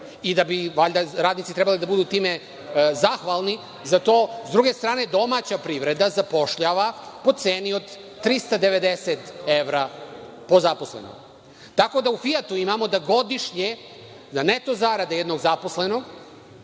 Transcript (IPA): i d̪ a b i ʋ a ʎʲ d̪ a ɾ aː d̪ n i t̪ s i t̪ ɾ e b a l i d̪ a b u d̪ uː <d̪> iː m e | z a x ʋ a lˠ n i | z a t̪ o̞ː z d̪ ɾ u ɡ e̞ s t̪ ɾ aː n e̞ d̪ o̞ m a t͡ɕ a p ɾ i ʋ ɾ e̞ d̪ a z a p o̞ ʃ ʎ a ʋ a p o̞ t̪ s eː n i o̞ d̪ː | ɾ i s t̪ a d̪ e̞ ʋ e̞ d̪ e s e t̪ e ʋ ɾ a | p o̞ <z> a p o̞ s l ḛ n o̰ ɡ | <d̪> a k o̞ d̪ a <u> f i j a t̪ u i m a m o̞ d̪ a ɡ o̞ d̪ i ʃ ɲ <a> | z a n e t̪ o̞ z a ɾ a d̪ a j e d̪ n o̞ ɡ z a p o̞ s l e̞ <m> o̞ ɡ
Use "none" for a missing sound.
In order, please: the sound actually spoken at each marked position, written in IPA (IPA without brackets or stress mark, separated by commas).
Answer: t̪, z, t̪, u, e, n